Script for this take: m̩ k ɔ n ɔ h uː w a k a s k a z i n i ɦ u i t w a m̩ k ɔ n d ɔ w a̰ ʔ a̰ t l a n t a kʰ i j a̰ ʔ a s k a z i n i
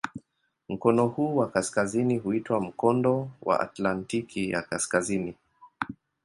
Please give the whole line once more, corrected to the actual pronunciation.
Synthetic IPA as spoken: m̩ k ɔ n ɔ h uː w a k a s k a z i n i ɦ u i t w a m̩ k ɔ n d ɔ w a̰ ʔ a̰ t l a n t i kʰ i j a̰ k a s k a z i n i